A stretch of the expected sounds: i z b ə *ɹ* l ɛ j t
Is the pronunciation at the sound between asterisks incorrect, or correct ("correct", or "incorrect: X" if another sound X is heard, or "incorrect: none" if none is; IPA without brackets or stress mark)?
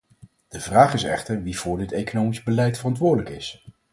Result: incorrect: none